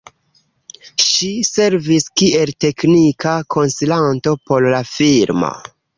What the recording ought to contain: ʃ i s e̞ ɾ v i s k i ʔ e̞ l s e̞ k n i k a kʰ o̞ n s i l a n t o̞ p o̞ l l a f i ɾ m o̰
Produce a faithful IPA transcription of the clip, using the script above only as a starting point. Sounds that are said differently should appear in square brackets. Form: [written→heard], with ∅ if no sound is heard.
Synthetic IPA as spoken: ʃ i s e̞ ɾ v i s k i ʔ e̞ l [s→t] e̞ k n i k a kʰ o̞ n s i l a n t o̞ p o̞ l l a f i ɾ m o̰